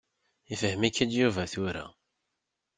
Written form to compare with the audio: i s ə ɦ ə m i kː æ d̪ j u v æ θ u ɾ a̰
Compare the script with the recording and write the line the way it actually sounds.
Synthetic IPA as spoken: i f ə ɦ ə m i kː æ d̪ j u v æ θ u ɾ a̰